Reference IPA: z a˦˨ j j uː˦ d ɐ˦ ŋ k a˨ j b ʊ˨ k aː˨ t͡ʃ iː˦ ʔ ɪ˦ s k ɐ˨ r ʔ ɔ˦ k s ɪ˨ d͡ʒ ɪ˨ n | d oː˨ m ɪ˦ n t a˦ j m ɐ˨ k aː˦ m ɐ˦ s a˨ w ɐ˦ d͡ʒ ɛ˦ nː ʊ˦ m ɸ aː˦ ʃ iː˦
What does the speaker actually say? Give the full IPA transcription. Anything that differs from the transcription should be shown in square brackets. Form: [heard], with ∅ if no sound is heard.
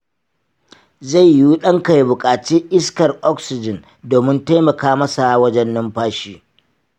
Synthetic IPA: z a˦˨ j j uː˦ [ɗ] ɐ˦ ŋ k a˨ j b ʊ˨ [kʼ] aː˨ t͡ʃ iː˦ ʔ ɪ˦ s k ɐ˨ r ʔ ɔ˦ k s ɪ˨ d͡ʒ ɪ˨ n | d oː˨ m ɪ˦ n t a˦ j m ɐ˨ k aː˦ m ɐ˦ s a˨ w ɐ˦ d͡ʒ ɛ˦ nː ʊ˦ m ɸ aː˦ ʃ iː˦